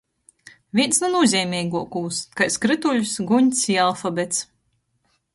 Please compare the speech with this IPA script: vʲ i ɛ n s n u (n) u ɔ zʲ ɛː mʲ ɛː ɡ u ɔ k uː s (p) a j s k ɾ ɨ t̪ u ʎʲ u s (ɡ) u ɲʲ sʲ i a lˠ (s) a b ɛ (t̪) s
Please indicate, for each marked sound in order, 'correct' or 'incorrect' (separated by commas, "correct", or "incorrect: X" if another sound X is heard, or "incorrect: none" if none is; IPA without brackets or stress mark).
correct, incorrect: k, correct, incorrect: f, correct